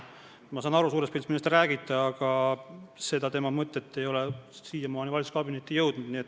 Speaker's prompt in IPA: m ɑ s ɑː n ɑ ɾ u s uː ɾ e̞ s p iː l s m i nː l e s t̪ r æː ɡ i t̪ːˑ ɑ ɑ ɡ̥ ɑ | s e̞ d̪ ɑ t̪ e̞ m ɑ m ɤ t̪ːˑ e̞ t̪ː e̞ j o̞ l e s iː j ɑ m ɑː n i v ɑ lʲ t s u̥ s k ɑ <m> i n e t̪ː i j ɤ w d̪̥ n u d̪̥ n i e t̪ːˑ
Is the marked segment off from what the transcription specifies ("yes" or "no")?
yes